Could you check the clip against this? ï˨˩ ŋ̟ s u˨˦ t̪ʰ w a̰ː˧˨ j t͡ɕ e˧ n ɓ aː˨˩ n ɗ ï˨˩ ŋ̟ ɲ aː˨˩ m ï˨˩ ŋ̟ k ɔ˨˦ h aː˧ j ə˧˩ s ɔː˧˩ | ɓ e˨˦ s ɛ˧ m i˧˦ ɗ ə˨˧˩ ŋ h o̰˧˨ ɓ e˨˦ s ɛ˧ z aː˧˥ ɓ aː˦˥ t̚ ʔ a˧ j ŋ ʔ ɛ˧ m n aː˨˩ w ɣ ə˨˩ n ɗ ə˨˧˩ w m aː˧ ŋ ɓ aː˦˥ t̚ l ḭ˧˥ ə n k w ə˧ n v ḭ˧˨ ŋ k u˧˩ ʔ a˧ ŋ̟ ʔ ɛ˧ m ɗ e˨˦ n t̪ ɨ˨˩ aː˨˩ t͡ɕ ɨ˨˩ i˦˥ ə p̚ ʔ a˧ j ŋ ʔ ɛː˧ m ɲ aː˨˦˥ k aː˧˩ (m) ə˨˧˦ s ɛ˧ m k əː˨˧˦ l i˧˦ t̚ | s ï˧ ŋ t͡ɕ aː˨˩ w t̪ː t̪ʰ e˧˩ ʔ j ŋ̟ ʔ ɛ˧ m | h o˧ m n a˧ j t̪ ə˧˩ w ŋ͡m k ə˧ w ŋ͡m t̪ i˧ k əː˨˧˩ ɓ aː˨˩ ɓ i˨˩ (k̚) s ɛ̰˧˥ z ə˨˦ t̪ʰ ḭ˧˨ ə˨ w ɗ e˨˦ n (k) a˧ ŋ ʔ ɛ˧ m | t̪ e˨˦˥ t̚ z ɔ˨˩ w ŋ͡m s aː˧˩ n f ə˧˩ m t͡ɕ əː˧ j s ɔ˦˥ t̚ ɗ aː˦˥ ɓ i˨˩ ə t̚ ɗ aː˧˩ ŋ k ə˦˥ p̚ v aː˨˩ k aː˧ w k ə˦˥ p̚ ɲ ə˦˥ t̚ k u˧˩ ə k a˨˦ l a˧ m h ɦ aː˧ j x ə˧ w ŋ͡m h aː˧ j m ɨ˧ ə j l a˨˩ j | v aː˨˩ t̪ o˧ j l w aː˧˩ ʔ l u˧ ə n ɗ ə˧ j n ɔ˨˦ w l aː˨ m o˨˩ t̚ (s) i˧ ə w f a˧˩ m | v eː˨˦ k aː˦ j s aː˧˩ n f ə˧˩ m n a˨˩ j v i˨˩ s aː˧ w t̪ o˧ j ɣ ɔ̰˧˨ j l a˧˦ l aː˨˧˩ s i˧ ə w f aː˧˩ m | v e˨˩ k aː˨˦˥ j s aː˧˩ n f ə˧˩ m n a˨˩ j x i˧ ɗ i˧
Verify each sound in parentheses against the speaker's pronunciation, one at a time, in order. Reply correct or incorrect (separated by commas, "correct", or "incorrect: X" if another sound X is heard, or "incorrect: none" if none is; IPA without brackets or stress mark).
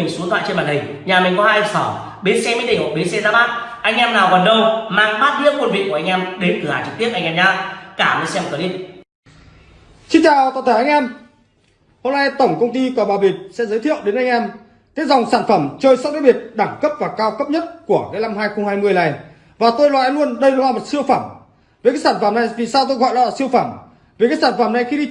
correct, incorrect: t̚, incorrect: ʔ, correct